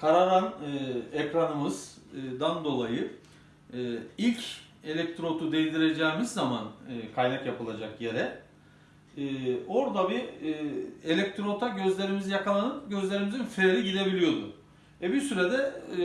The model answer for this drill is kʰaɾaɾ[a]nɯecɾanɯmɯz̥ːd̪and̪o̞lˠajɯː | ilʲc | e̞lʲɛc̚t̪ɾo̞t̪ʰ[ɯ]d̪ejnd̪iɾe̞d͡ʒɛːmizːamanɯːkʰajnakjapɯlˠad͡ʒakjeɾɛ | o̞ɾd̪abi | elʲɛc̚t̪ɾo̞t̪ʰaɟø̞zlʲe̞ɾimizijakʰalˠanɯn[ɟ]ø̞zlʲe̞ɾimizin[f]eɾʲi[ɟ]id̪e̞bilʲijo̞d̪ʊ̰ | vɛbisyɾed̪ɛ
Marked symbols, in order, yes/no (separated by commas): yes, no, yes, yes, yes